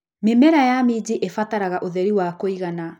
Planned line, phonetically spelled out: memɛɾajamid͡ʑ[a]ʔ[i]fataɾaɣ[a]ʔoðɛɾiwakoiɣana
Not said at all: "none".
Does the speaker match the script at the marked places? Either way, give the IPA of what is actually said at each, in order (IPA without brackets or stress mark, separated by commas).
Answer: i, e, a